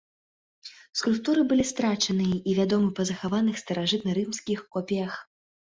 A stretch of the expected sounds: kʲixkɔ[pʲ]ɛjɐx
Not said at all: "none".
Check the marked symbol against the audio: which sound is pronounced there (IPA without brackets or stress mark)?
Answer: pʲ